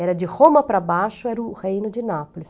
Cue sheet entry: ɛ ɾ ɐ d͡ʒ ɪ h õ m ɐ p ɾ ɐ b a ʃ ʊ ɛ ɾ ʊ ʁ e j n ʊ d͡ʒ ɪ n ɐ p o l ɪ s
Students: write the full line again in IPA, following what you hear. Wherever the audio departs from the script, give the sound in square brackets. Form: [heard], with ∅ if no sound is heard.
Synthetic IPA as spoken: ɛ ɾ ɐ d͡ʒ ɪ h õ m ɐ p ɾ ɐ b a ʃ ʊ ɛ ɾ ʊ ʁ e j n ʊ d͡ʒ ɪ n [a] p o l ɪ s